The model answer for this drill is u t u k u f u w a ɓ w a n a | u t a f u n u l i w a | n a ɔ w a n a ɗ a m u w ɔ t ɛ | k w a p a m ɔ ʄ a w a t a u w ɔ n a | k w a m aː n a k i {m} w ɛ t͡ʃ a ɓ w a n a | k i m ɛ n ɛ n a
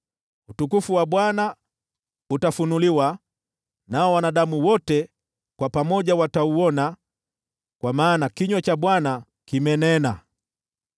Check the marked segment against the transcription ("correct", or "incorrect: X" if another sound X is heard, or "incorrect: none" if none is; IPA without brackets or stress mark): incorrect: ɲ